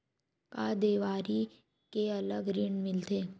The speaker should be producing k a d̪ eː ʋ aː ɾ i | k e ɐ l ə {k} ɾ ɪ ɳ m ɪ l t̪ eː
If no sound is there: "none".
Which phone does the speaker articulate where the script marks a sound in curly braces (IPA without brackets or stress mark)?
ɡ